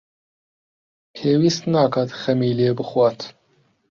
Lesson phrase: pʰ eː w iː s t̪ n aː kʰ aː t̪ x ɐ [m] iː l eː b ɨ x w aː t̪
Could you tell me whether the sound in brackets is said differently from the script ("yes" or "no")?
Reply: no